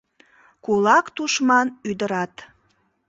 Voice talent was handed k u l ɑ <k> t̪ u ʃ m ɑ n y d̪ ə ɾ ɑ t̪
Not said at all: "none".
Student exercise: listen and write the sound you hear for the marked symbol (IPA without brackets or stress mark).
k